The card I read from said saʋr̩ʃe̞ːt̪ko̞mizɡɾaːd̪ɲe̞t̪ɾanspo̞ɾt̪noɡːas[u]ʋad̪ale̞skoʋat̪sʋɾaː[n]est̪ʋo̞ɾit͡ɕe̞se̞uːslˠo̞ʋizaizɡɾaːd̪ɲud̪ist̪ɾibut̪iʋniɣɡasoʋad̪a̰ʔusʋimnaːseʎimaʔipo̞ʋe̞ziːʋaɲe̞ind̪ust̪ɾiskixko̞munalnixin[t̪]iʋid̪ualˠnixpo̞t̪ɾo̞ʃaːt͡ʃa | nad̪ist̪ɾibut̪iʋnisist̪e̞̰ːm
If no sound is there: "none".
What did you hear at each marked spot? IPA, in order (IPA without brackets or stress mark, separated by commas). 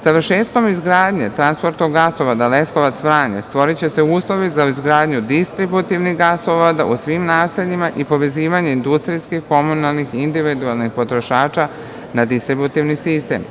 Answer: o, ɲ, d̪